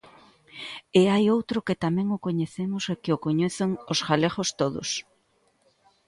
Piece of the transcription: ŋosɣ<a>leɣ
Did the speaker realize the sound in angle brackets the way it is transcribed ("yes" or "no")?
yes